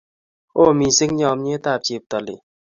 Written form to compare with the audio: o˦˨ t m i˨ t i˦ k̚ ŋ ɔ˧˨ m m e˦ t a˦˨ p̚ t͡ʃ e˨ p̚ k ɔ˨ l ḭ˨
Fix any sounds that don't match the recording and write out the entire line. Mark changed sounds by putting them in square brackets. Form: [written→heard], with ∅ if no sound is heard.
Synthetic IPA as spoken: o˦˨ [t→∅] m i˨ [t→s] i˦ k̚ [ŋ→ɲ] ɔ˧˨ m [m→ɲ] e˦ t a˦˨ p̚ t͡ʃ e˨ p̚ [k→t] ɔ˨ l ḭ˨